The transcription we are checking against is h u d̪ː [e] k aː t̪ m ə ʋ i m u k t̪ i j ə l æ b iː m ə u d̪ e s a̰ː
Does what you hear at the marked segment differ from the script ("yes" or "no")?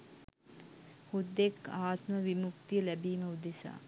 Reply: no